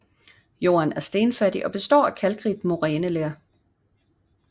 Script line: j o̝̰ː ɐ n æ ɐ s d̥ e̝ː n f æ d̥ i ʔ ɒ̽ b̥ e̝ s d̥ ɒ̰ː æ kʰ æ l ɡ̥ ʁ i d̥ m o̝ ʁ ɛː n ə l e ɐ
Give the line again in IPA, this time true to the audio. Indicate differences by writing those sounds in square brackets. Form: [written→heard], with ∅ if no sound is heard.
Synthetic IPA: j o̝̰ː ɐ n æ ɐ s d̥ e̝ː n f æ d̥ i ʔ ɒ̽ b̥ e̝ s d̥ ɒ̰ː æ kʰ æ l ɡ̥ ʁ i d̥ m o̝ ʁ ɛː n ə l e ɐ